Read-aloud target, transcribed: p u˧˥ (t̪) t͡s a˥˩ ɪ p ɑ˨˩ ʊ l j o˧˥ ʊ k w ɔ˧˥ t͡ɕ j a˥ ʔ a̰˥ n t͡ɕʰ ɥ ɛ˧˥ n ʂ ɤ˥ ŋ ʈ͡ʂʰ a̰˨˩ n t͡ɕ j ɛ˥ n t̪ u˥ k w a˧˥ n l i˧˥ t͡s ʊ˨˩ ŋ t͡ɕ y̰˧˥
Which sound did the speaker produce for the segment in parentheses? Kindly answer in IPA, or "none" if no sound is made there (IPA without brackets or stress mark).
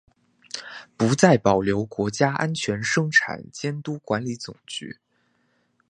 none